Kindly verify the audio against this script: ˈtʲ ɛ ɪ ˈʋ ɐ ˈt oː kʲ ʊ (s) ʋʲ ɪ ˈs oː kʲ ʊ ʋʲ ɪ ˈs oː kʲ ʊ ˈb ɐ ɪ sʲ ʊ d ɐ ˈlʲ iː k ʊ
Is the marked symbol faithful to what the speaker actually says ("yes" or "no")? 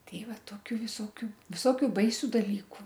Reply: no